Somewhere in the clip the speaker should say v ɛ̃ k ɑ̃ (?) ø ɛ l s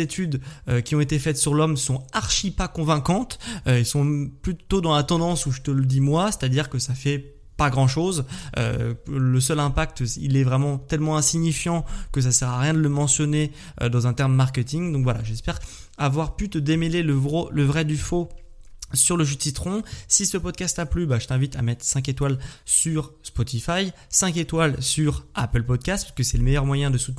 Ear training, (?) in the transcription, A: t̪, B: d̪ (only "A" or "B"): A